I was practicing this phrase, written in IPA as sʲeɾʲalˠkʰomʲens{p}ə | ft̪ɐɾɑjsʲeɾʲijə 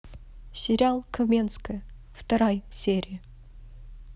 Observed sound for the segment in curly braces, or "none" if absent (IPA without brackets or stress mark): k